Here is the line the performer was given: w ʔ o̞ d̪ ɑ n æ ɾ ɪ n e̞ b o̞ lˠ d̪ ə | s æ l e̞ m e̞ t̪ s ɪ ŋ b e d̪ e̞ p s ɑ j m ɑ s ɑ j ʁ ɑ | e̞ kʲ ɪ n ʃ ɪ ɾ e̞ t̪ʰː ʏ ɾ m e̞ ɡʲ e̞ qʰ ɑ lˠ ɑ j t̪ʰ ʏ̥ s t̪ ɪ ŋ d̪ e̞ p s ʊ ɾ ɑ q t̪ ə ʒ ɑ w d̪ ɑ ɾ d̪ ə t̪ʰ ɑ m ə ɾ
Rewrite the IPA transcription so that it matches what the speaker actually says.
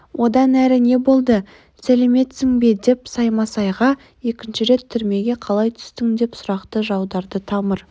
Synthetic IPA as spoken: w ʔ o̞ d̪ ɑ n æ ɾ ɪ n e̞ b o̞ lˠ d̪ ə | s æ l e̞ m e̞ t̪ s ɪ ŋ b e d̪ e̞ p s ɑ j m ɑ s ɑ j ʁ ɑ | e̞ kʲ ɪ n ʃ ɪ ɾ e̞ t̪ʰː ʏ ɾ m e̞ ɡʲ e̞ qʰ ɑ lˠ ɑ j t̪ʰ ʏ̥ s t̪ ɪ ŋ d̪ e̞ p s ʊ ɾ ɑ q t̪ ə ʒ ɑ w d̪ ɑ ɾ d̪ ə t̪ʰ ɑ m ə ɾ